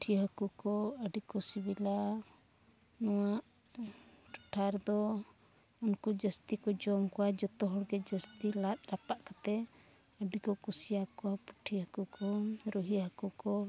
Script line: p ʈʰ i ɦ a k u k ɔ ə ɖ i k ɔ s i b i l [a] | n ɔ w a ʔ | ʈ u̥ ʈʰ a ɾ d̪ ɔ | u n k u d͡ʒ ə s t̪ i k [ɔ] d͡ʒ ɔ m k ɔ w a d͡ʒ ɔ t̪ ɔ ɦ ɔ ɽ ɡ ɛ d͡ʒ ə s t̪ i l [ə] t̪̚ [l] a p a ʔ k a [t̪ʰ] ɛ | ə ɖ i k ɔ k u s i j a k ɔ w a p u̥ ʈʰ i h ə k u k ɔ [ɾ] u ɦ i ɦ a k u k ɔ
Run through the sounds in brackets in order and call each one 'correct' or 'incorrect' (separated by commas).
correct, correct, incorrect, incorrect, incorrect, correct